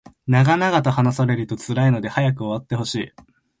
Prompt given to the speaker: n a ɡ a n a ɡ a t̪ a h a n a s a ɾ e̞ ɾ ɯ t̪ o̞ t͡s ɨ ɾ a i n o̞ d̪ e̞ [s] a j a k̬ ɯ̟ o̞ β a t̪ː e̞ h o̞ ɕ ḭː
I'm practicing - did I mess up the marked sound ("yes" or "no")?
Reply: yes